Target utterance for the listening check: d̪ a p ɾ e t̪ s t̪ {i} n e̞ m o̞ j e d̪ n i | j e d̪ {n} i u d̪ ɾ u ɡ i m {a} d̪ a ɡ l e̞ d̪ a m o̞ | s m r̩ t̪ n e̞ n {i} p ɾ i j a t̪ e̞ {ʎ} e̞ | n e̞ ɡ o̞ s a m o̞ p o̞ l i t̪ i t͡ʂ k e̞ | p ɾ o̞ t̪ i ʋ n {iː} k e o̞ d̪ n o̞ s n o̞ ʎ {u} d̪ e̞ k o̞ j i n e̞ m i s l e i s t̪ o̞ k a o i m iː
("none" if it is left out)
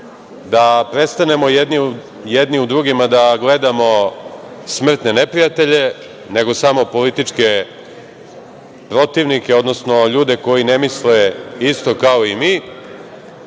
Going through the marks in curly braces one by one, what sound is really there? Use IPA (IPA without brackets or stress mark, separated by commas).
a, n, a, e, ʎ, i, uː